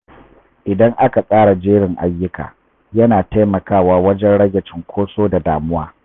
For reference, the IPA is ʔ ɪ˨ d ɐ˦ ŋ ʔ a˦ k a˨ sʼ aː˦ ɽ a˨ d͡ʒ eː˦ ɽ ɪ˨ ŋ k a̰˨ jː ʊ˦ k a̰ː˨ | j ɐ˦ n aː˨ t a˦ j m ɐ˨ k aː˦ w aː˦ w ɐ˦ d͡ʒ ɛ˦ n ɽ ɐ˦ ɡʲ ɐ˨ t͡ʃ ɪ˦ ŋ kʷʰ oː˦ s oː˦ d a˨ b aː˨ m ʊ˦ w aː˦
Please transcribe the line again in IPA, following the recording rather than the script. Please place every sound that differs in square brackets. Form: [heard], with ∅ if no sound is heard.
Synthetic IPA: ʔ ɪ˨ d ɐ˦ ŋ ʔ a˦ k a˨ sʼ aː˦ ɽ a˨ d͡ʒ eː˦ ɽ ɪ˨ ŋ [ʔ] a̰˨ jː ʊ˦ k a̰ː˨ | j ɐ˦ n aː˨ t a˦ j m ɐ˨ k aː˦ w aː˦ w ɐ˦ d͡ʒ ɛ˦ n ɽ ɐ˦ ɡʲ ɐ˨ t͡ʃ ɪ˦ ŋ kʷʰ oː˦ s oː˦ d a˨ [d] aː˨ m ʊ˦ w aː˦